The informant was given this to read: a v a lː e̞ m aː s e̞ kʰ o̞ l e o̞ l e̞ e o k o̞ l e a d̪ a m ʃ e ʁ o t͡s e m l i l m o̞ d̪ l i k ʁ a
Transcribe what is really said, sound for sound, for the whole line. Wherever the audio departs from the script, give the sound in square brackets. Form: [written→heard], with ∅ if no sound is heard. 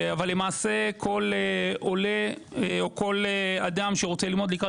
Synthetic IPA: a v a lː e̞ m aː s e̞ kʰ o̞ l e o̞ l e̞ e o k o̞ l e a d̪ a m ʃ e ʁ o t͡s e [m→∅] l i l m o̞ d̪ l i k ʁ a